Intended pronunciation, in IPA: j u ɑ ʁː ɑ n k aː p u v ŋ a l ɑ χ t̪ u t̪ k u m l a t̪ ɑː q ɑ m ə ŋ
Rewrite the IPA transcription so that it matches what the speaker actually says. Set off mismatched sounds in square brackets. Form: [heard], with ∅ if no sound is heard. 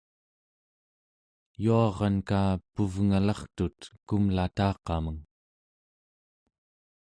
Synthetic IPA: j u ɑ [ʁ] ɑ n k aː p u v ŋ a l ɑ χ t̪ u t̪ k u m l a t̪ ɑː q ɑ m ə ŋ